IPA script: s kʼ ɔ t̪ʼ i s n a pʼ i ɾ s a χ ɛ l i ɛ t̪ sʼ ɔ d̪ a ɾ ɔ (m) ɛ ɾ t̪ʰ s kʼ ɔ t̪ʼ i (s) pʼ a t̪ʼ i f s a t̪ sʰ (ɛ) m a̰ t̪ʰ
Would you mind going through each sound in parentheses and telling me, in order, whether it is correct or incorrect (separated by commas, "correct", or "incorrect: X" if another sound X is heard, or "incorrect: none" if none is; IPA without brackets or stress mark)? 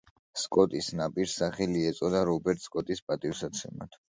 incorrect: b, correct, correct